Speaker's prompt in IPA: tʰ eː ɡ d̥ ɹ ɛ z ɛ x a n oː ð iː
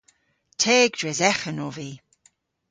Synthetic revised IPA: tʰ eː ɡ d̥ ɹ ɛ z ɛ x ə n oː v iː

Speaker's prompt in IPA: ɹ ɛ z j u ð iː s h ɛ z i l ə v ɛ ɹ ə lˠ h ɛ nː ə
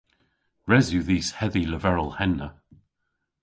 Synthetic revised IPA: ɹ ɛ z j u ð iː s h ɛ ð i l ə v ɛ ɹ ə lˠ h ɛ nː ə

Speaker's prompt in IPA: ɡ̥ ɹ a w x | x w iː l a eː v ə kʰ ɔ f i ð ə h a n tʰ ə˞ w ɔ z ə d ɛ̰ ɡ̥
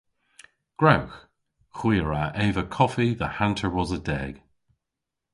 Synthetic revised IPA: ɡ̥ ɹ a w x | x w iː ɹ a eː v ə kʰ ɔ f i ð ə h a n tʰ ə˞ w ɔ z ə d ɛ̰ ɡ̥

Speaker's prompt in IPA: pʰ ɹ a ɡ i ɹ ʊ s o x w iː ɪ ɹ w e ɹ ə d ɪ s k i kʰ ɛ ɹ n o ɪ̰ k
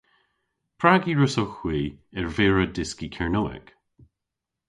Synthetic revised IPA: pʰ ɹ a ɡ i ɹ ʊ s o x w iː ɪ ɹ v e ɹ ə d ɪ s k i kʰ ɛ ɹ n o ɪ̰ k

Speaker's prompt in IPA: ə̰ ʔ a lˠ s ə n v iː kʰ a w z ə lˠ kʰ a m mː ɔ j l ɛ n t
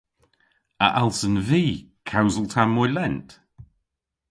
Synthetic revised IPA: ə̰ ʔ a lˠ s ə n v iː kʰ a w z ə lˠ tʰ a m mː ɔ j l ɛ n t

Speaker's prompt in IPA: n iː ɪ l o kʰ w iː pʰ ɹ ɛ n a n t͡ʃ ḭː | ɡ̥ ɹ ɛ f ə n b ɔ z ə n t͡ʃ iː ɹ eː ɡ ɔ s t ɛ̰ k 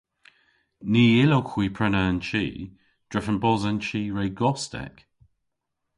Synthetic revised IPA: n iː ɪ l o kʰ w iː pʰ ɹ ɛ n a n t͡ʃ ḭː | d̥ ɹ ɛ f ə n b ɔ z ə n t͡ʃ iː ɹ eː ɡ ɔ s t ɛ̰ k

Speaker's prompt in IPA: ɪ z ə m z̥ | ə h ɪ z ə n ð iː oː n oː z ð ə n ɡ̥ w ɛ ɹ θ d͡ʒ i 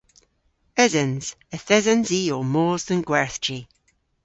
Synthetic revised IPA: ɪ z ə n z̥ | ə θ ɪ z ə n z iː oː m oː z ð ə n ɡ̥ w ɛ ɹ θ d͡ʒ i

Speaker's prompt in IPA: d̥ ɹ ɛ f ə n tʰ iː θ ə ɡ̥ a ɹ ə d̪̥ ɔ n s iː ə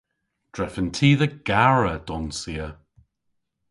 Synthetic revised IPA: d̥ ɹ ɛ f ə n tʰ iː ð ə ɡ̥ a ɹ ə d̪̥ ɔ n s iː ə

